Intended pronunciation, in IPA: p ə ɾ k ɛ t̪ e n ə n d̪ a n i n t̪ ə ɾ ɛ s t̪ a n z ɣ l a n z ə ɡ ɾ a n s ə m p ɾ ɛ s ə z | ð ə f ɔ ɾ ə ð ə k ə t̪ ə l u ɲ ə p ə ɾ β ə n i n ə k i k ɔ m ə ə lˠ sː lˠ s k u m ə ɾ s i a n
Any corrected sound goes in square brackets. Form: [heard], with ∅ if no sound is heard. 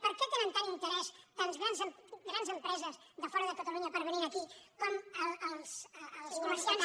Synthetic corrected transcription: p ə ɾ k ɛ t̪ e n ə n [t̪] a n i n t̪ ə ɾ ɛ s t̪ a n z ɣ [ɾ] a n z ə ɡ ɾ a n [z] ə m p ɾ ɛ [z] ə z | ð ə f ɔ ɾ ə ð ə k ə t̪ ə l u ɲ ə p ə ɾ β ə n i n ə k i k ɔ m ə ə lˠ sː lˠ s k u m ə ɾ s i a n